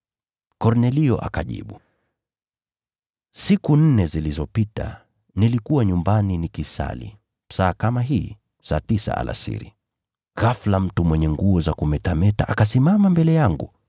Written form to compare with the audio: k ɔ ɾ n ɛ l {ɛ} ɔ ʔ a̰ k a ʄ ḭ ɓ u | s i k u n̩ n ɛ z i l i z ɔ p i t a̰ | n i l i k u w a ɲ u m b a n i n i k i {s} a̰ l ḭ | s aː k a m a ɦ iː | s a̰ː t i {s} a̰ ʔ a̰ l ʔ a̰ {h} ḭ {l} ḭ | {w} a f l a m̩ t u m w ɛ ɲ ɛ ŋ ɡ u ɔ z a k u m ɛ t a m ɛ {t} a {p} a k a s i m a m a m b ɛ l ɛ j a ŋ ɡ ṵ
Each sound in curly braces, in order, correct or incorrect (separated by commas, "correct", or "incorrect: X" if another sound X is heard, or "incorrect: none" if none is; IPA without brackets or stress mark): incorrect: i, correct, correct, incorrect: s, incorrect: ɾ, incorrect: ɣ, correct, incorrect: ʔ